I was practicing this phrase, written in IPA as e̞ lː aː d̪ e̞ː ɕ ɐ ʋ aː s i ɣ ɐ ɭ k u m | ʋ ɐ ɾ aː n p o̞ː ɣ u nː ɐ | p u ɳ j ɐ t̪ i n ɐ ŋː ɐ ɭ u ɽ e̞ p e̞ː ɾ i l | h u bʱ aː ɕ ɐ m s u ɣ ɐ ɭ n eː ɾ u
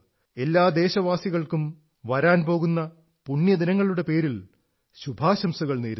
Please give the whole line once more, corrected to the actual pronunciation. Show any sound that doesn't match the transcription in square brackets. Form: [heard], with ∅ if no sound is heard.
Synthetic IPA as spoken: e̞ lː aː d̪ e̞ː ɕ ɐ ʋ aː s i ɣ ɐ ɭ k u m | ʋ ɐ ɾ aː n p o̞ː ɣ u nː ɐ | p u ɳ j ɐ [d̪] i n ɐ ŋː ɐ ɭ u ɽ e̞ p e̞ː ɾ i l | [ɕ] u bʱ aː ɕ ɐ m s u ɣ ɐ ɭ n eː ɾ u

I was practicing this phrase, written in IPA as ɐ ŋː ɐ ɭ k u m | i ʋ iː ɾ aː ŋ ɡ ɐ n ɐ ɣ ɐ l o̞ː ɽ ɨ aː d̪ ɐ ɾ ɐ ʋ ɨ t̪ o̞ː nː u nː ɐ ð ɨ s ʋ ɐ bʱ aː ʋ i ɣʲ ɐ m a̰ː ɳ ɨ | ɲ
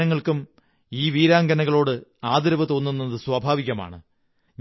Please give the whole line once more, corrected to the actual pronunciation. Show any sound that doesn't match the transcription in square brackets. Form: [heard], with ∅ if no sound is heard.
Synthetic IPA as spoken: ɐ ŋː ɐ ɭ k u m | [iː] ʋ iː ɾ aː ŋ ɡ ɐ n ɐ ɣ ɐ [ɭ] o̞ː ɽ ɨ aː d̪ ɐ ɾ ɐ ʋ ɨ t̪ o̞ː nː u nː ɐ ð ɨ s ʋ ɐ bʱ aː ʋ i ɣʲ ɐ m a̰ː ɳ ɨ | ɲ

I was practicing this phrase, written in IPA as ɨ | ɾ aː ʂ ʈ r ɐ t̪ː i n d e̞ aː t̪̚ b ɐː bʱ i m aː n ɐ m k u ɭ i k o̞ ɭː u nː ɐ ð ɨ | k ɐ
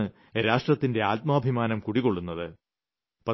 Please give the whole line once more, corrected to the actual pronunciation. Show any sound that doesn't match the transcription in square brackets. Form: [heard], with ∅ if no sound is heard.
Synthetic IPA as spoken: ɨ | ɾ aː ʂ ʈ r ɐ t̪ː i n d e̞ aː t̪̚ [m] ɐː bʱ i m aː n ɐ m k u [ɽ] i k o̞ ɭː u nː ɐ ð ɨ | [p] ɐ

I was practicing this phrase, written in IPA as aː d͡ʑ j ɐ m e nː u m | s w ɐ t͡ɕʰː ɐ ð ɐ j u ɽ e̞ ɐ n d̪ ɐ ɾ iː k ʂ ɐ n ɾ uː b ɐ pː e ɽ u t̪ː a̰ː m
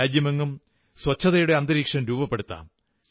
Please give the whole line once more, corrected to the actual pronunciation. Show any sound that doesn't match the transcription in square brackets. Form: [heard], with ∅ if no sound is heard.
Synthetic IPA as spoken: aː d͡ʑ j ɐ m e [ŋː] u m | s w ɐ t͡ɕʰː ɐ ð ɐ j u ɽ e̞ ɐ n d̪ ɐ ɾ iː k ʂ ɐ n ɾ uː b ɐ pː e ɽ u t̪ː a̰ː m

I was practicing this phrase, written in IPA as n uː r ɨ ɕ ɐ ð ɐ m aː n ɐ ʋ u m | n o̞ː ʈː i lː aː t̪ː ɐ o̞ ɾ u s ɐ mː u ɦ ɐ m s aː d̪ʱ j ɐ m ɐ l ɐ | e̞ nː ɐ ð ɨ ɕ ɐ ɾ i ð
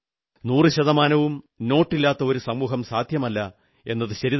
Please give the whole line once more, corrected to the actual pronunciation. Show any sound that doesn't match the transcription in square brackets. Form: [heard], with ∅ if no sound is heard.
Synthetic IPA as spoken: n uː r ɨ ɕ ɐ ð ɐ m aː n ɐ ʋ u m | n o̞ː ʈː i lː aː t̪ː ɐ o̞ ɾ u s ɐ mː [uː] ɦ ɐ m s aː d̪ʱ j ɐ m ɐ [lː] ɐ | e̞ nː ɐ ð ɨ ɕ ɐ ɾ i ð

